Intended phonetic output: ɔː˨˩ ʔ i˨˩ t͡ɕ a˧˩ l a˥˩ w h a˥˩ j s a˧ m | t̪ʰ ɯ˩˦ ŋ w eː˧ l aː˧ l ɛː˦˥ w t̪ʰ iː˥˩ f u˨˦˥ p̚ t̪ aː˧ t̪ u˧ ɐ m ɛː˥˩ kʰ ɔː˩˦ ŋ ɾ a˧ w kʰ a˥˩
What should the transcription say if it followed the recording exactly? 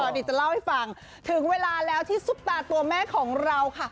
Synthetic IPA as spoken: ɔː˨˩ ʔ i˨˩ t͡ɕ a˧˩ l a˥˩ w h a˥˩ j f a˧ ŋ | t̪ʰ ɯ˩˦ ŋ w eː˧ l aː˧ l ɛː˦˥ w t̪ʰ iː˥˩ s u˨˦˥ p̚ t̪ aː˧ t̪ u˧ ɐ m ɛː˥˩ kʰ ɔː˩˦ ŋ ɾ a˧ w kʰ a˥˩